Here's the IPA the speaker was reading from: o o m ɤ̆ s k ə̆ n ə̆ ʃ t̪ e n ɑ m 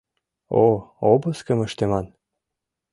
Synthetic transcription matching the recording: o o b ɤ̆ s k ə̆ m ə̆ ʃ t̪ e m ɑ n